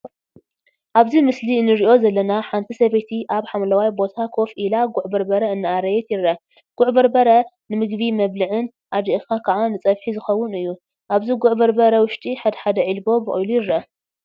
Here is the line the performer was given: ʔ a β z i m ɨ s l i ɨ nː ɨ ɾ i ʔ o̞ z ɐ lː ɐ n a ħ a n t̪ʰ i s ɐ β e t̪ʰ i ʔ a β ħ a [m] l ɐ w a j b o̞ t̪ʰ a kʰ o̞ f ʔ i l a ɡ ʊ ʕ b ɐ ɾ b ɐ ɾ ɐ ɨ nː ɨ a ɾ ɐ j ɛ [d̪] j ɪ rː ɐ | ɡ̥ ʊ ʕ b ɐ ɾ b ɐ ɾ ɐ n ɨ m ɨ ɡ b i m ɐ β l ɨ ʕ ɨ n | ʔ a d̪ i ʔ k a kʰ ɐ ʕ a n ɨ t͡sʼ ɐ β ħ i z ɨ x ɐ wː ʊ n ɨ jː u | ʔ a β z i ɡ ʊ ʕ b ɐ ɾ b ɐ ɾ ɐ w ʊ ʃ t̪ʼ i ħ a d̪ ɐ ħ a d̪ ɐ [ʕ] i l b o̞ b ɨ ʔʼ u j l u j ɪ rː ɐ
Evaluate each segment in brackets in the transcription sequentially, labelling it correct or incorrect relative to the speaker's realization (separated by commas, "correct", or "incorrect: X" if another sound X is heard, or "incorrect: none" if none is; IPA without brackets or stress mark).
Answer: correct, incorrect: t̪, correct